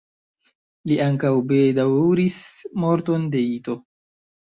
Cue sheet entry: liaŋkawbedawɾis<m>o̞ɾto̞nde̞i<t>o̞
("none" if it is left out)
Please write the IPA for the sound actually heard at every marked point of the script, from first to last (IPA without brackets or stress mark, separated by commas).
m, t